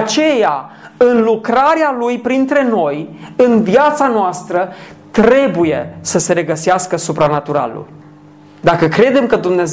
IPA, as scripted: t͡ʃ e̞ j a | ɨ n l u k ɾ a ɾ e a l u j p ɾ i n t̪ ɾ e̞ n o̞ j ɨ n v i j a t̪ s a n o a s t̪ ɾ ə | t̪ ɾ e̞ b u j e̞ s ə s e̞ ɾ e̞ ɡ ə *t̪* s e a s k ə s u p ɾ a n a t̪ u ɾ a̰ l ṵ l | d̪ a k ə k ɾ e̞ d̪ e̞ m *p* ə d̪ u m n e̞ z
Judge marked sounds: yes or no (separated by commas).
no, no